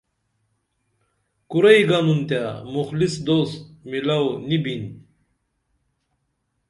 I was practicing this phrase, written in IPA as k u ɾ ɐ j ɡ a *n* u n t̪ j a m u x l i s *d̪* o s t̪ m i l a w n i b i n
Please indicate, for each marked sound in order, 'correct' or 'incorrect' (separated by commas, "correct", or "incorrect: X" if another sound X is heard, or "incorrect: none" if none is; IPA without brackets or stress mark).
correct, correct